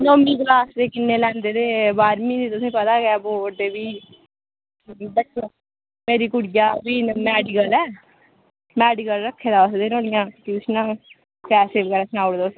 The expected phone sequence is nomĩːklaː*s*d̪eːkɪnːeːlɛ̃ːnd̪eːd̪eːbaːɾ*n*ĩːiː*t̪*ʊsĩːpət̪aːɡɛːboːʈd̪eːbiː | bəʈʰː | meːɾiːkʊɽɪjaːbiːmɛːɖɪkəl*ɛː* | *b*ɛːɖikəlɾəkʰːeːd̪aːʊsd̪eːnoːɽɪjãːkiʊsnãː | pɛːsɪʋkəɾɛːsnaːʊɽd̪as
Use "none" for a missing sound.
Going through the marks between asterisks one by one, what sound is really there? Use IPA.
s, m, t̪, ɛː, m

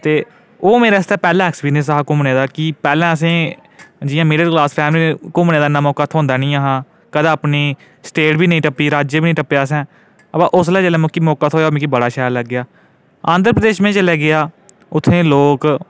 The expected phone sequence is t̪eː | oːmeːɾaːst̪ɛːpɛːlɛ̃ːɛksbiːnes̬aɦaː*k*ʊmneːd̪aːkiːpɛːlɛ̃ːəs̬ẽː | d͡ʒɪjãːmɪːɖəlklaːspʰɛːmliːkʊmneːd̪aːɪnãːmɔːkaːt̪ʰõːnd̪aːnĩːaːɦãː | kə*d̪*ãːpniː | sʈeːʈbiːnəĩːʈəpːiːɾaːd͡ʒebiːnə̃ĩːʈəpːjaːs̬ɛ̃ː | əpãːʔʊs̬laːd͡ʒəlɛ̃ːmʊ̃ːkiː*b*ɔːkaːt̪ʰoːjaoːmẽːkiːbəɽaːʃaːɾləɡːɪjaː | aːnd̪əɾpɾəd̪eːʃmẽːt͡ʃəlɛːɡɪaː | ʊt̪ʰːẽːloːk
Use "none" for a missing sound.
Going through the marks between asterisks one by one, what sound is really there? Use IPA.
k, d̪, m

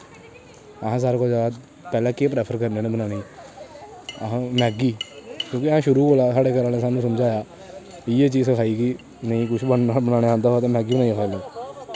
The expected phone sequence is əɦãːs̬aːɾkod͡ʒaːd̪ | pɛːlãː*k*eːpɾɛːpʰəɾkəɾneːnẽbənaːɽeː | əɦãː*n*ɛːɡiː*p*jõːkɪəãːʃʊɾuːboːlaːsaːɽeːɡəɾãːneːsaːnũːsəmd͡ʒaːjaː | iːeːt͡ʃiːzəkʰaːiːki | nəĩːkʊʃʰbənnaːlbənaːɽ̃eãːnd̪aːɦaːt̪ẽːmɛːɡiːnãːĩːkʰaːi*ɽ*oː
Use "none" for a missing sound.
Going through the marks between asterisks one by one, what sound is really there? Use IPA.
k, m, k, l

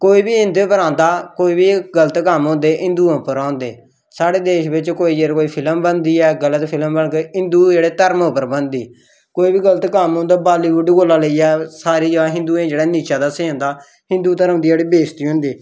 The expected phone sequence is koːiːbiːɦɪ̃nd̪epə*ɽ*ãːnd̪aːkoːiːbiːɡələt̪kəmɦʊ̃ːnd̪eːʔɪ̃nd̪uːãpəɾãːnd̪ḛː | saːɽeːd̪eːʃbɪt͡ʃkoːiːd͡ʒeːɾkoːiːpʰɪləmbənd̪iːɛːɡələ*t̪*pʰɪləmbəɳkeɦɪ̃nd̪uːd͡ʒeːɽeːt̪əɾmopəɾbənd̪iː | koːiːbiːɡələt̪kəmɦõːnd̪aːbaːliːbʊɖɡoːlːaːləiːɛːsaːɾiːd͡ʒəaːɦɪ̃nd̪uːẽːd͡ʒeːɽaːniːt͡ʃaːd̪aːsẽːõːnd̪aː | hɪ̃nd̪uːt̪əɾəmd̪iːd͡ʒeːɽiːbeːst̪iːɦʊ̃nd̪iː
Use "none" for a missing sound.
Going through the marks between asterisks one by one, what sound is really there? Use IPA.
ɾ, t̪

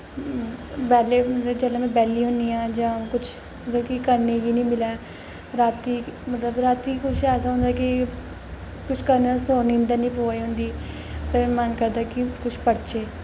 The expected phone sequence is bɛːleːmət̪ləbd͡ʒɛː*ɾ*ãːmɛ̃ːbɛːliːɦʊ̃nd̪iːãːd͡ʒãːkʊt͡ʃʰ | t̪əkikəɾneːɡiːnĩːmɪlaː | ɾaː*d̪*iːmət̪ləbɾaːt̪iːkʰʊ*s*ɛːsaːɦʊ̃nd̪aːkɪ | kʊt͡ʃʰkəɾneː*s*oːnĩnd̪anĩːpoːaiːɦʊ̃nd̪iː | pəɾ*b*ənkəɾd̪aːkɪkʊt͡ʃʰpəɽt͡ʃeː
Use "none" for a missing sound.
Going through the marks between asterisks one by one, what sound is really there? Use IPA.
l, t̪, ʃ, s, m

